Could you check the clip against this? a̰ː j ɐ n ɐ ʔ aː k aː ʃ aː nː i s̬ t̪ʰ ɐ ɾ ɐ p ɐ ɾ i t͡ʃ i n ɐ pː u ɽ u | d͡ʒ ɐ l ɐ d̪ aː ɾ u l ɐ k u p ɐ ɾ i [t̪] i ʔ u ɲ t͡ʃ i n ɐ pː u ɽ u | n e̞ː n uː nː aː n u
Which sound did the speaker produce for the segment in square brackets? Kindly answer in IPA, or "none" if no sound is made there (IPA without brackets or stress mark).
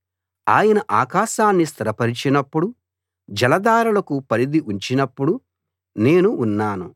d̪